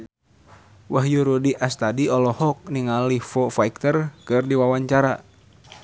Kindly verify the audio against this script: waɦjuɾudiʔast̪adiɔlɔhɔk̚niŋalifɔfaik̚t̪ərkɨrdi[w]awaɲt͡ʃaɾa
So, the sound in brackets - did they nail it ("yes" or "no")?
yes